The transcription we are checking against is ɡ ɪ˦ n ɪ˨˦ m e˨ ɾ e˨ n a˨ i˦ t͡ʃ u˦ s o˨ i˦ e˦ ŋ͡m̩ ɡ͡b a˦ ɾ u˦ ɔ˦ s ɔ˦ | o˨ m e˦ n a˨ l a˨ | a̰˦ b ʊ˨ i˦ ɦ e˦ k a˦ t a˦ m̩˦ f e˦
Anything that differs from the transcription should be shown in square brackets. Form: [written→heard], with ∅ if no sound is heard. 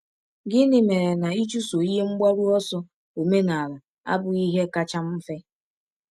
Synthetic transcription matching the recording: ɡ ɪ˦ n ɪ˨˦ m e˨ ɾ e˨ n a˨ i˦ t͡ʃ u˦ s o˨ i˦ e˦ ŋ͡m̩ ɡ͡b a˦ ɾ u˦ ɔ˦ s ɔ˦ | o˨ m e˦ n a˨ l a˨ | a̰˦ b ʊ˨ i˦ ɦ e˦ k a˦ [t→t͡ʃ] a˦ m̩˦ f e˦